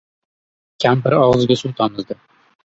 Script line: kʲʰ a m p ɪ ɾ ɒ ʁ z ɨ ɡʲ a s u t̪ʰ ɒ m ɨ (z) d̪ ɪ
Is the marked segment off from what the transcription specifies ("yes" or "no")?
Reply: no